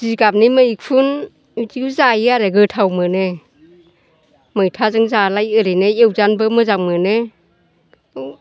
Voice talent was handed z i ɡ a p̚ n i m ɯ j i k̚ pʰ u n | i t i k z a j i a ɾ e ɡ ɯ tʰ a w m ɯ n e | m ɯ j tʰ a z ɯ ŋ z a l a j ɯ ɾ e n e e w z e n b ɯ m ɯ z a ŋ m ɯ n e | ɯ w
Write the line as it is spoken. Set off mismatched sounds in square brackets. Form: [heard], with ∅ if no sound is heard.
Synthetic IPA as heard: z i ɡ a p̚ n i m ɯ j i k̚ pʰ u n | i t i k z a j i a ɾ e ɡ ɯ tʰ a w m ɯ n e | m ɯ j tʰ a z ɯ ŋ z a l a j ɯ ɾ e n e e w z [a] n b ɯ m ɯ z a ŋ m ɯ n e | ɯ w